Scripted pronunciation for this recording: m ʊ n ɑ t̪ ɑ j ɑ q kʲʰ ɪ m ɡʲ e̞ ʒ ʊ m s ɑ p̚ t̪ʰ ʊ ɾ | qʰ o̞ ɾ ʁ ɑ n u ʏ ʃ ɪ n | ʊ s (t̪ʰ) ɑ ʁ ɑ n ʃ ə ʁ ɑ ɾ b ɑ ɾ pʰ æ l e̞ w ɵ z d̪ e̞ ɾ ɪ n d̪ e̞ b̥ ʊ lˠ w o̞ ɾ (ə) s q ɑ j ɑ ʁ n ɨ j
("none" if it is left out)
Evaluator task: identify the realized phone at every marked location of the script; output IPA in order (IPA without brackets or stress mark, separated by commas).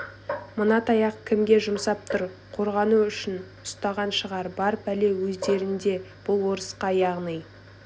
t̪, ə